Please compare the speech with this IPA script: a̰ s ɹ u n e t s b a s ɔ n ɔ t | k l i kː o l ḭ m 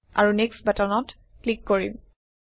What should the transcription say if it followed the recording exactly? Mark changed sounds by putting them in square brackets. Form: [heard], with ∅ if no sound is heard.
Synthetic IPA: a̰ [∅] ɹ u n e [k] s b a [t] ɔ n ɔ t | k l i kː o [ɹ] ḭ m